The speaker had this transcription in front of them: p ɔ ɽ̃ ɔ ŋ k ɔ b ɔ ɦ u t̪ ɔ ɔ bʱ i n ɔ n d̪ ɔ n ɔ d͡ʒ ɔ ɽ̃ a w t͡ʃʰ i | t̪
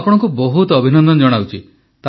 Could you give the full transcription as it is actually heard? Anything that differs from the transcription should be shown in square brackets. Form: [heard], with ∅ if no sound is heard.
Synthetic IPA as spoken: p ɔ ɽ̃ ɔ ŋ k [u] b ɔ ɦ u t̪ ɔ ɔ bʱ i n ɔ n d̪ ɔ n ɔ d͡ʒ ɔ ɽ̃ a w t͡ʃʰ i | t̪